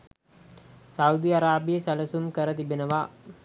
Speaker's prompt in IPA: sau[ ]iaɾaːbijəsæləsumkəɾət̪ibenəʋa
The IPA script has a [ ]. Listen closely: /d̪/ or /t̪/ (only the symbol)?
d̪